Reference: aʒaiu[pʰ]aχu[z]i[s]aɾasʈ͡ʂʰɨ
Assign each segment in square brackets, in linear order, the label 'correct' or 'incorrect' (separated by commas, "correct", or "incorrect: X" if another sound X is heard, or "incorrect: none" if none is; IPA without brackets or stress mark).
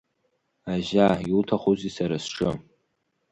incorrect: tʰ, correct, correct